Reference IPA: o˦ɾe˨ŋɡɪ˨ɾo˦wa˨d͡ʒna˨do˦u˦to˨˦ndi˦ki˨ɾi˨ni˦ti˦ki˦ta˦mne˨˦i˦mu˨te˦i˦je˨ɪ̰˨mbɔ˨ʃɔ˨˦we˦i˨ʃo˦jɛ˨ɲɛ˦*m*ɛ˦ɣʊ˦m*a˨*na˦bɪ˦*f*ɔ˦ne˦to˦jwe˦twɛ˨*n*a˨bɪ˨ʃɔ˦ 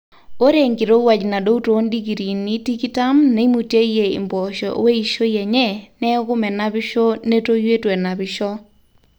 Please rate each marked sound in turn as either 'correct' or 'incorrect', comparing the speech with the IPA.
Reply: incorrect, incorrect, incorrect, correct

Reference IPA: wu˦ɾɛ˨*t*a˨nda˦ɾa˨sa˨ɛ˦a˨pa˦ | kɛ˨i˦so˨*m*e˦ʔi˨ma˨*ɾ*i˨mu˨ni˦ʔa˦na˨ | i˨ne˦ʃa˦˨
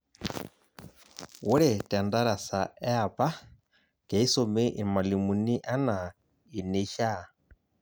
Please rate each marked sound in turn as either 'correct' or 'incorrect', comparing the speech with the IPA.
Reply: correct, correct, incorrect

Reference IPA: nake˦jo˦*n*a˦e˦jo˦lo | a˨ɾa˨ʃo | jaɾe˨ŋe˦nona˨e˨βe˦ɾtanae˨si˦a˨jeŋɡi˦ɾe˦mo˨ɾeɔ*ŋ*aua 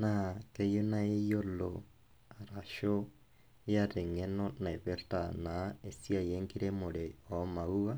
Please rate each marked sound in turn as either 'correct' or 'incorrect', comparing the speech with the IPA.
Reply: correct, incorrect

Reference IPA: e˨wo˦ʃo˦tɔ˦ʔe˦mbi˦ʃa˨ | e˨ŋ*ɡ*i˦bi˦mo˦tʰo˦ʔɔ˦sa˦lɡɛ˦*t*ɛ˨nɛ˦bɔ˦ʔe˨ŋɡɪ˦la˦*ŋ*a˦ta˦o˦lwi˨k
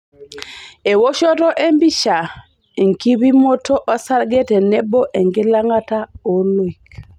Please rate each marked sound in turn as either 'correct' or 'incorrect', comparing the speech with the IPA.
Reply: incorrect, correct, correct

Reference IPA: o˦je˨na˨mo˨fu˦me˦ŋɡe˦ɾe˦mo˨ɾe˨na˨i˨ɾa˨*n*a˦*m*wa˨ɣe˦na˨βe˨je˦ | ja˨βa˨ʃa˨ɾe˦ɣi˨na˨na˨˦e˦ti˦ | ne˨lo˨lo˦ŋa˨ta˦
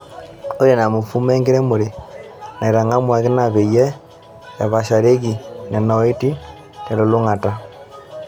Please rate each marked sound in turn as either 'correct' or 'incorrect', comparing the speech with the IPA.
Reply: incorrect, correct

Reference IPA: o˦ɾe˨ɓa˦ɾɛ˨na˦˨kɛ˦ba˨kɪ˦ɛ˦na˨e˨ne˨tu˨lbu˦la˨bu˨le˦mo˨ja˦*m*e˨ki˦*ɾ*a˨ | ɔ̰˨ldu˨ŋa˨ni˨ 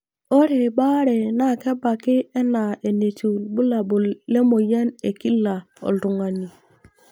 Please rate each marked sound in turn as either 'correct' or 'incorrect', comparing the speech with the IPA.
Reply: incorrect, incorrect

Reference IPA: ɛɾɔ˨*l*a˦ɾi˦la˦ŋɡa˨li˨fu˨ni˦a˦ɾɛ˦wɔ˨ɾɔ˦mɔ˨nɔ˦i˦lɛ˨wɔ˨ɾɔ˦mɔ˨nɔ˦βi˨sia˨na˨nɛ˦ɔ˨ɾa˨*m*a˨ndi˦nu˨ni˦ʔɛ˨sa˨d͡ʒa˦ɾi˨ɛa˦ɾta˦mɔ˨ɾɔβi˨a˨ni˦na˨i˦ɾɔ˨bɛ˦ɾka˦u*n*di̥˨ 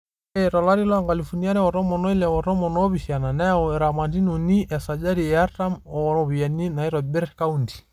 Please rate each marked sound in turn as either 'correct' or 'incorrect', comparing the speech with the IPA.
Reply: correct, correct, correct

